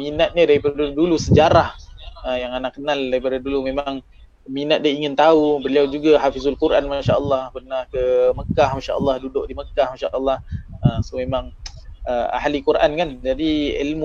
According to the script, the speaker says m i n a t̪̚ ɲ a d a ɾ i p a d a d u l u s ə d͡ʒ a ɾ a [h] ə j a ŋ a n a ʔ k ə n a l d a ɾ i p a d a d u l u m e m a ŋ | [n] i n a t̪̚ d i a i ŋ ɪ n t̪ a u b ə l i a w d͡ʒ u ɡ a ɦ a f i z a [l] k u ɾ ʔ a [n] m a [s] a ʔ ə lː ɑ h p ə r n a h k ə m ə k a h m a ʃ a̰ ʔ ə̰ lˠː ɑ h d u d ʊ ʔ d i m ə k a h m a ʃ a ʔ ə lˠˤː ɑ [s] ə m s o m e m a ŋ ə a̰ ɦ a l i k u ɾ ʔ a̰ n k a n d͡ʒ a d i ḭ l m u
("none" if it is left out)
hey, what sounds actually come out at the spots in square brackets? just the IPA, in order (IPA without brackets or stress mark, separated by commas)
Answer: h, m, l, n, ʃ, h